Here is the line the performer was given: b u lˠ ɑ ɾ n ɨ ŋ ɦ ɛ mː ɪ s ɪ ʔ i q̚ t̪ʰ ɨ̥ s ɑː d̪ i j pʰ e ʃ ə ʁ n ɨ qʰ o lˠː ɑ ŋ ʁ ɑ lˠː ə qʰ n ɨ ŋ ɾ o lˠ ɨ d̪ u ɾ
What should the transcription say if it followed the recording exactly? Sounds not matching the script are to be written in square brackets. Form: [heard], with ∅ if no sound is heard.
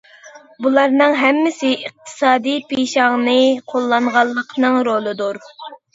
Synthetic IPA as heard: b u lˠ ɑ ɾ n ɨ ŋ ɦ ɛ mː ɪ s ɪ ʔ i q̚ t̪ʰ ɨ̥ s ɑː d̪ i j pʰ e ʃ [ɑ] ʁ n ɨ qʰ o lˠː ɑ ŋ ʁ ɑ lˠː ə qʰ n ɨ ŋ ɾ o lˠ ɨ d̪ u ɾ